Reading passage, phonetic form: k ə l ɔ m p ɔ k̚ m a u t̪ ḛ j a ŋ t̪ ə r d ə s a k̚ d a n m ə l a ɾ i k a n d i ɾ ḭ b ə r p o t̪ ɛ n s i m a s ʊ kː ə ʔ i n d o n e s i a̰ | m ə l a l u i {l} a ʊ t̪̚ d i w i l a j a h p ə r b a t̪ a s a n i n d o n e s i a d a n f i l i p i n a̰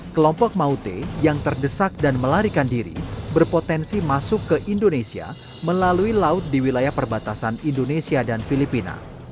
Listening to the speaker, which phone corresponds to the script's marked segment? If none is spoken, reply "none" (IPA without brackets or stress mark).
l